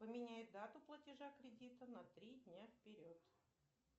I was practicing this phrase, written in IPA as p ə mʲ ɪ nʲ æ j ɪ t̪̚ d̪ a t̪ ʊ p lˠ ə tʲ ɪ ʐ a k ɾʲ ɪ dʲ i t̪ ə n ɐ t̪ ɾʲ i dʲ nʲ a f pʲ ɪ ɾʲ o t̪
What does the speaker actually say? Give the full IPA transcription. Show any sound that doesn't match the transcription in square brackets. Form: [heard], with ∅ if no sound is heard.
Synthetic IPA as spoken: p ə mʲ ɪ nʲ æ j ɪ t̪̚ d̪ a t̪ ʊ p lˠ ə tʲ ɪ ʐ a k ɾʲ ɪ dʲ i t̪ ə n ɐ t̪ ɾʲ i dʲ nʲ a f pʲ ɪ ɾʲ o t̪